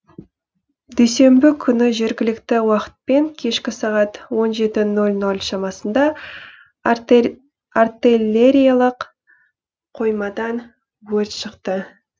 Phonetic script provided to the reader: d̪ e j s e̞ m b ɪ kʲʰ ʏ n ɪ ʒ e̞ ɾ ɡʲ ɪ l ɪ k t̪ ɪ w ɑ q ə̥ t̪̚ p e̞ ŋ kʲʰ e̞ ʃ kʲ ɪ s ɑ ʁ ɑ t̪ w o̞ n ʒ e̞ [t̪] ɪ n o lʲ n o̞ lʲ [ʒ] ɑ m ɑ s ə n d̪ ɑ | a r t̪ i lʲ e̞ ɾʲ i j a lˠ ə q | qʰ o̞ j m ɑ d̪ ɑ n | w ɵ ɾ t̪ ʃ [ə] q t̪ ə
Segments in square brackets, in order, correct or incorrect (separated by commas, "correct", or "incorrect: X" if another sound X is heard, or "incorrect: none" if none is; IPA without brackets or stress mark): correct, incorrect: ʃ, correct